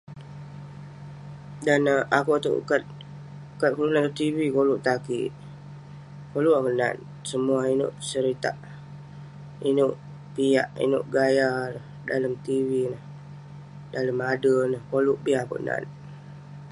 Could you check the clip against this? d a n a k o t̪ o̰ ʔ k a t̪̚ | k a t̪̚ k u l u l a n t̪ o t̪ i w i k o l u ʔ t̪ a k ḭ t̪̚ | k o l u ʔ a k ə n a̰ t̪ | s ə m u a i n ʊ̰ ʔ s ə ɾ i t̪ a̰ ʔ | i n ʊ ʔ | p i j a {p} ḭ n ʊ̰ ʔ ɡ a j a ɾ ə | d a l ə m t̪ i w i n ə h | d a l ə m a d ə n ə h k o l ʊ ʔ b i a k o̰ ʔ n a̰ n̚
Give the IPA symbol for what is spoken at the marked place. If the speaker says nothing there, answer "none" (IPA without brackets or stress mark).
ʔ